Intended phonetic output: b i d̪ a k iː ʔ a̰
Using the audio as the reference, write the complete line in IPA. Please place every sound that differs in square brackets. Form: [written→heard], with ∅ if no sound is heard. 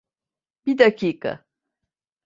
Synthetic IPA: b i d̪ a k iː [ʔ→k] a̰